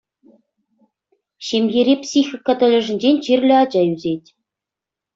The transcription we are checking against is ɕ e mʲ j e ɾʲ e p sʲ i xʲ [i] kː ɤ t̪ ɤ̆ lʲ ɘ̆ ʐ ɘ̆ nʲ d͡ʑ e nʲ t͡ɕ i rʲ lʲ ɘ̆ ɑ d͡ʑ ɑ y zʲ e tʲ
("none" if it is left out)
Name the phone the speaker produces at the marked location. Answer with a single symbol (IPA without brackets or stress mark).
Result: i